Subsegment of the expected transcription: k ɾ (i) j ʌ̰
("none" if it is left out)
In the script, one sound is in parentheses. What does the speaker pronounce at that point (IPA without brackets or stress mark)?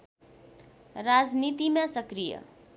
i